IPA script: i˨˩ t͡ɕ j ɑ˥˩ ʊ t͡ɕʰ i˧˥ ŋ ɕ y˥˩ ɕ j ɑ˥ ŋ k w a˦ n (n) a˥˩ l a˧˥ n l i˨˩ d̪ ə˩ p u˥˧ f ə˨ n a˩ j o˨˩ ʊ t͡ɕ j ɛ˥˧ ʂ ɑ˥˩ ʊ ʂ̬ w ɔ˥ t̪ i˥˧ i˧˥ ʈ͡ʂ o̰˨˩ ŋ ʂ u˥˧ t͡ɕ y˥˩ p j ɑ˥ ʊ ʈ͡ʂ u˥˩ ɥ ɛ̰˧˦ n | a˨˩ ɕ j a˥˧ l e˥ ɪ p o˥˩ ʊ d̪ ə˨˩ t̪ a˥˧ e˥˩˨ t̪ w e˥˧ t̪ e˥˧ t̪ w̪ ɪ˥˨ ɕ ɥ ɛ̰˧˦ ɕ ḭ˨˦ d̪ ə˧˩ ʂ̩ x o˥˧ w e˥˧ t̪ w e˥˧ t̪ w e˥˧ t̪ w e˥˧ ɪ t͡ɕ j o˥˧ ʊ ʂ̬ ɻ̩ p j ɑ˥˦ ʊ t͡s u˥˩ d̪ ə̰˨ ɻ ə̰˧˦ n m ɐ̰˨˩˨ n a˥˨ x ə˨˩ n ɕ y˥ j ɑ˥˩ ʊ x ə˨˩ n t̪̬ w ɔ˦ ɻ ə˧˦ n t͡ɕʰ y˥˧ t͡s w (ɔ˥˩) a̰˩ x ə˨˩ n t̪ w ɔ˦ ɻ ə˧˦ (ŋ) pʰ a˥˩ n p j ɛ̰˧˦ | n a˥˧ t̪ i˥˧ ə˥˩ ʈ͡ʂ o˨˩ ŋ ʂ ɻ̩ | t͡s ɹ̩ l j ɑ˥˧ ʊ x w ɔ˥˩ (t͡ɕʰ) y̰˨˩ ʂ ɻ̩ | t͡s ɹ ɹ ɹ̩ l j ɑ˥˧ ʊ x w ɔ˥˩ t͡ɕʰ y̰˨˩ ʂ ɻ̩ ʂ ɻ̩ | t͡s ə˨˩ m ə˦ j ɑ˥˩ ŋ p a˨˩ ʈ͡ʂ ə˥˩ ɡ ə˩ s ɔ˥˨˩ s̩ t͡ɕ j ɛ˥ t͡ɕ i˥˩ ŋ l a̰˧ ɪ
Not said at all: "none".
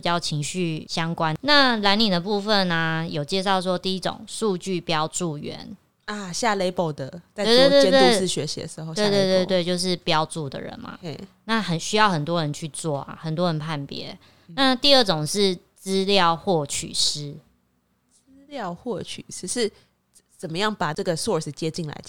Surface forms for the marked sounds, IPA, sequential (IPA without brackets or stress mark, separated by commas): n, ɔ˥˩, n, t͡ɕʰ